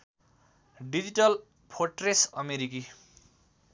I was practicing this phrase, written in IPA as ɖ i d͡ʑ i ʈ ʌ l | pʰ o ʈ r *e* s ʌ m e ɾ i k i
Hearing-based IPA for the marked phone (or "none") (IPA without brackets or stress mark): e